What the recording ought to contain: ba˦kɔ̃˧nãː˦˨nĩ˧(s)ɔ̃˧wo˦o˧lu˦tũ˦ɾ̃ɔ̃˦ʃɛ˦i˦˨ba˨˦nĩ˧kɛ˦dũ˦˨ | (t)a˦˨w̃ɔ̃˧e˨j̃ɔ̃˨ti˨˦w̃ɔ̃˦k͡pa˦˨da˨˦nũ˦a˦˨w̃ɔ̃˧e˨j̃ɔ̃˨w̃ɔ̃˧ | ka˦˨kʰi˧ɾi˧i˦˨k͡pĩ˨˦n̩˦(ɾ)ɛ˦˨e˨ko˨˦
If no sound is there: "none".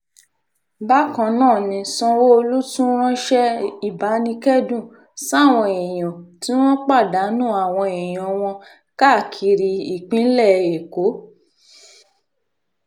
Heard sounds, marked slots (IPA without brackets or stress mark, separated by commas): s, s, l